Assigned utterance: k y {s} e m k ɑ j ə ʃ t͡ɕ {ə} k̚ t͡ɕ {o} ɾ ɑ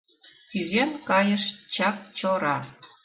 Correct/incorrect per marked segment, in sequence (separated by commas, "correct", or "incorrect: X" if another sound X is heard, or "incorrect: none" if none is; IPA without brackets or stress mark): incorrect: z, incorrect: ɑ, correct